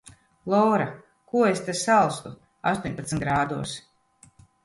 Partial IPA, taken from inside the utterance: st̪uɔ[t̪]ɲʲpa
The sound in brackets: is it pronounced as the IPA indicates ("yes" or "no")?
no